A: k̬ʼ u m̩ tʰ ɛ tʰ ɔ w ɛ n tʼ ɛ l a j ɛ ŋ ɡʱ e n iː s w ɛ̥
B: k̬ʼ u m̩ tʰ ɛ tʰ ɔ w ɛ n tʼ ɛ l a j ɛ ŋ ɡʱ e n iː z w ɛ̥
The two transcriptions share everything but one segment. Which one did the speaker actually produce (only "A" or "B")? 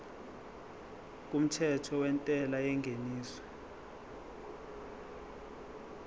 A